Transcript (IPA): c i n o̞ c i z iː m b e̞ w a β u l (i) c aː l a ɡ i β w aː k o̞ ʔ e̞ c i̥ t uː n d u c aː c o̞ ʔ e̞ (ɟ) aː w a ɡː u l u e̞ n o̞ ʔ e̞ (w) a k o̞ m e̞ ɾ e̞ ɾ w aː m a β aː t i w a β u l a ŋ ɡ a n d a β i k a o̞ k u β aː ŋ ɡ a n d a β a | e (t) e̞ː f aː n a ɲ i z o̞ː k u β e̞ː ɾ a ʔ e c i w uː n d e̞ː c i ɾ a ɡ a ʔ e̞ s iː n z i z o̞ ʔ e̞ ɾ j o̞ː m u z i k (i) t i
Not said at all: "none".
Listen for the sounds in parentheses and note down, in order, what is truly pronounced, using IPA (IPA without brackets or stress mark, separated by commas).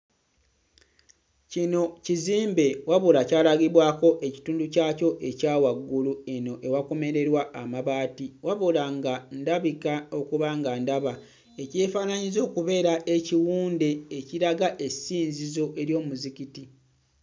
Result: a, c, w, c, i